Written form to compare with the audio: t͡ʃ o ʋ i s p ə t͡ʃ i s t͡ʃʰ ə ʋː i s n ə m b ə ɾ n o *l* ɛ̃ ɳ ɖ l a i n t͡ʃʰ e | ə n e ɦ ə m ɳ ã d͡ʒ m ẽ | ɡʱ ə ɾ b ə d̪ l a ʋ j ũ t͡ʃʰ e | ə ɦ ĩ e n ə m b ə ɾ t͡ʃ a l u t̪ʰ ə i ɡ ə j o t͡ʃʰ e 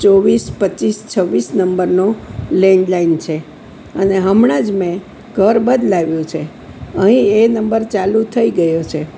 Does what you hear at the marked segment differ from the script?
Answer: no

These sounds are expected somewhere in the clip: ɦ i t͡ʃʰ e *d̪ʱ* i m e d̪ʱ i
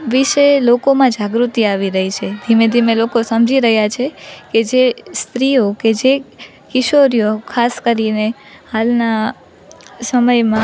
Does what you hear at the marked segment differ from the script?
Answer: no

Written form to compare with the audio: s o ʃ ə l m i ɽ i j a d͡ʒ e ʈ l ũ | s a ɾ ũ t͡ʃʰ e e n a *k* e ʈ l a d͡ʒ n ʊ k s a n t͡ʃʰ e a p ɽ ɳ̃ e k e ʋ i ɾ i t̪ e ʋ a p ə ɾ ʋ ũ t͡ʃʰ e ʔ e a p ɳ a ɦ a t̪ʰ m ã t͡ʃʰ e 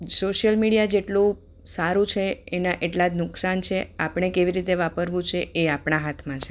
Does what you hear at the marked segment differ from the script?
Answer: yes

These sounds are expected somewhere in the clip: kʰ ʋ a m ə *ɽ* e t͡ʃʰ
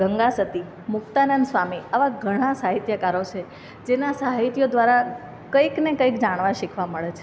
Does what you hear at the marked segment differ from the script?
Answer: yes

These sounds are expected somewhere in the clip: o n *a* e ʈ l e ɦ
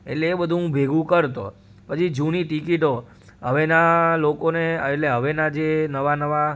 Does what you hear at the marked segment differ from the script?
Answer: yes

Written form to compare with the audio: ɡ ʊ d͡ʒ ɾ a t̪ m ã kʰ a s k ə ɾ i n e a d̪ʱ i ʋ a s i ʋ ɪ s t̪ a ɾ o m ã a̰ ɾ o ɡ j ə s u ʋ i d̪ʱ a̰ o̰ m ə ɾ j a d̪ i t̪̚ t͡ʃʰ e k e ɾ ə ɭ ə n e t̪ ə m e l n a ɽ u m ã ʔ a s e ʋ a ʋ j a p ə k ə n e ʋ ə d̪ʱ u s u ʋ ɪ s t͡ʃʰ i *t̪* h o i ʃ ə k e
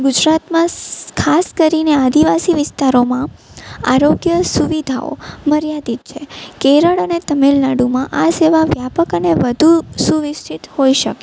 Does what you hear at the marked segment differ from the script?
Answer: no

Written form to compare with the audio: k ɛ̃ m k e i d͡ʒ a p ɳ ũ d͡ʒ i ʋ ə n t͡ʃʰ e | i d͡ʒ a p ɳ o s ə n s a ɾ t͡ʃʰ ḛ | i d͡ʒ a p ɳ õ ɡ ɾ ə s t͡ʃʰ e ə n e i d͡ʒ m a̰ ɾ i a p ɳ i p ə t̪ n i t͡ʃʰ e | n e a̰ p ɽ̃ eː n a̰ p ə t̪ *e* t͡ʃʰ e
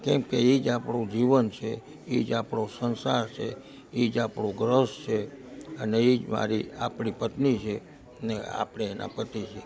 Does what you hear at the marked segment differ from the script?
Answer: yes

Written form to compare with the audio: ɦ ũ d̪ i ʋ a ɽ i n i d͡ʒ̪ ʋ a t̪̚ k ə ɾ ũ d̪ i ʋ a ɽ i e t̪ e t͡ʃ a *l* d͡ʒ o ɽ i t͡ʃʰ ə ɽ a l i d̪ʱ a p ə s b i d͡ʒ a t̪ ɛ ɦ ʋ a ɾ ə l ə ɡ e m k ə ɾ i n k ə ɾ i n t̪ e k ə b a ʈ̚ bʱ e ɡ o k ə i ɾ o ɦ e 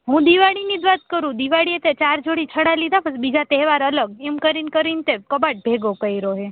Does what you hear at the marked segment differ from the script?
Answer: yes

